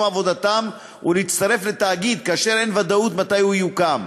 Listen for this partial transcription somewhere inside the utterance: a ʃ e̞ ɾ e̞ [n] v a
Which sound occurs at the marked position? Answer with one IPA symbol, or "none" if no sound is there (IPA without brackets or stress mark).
n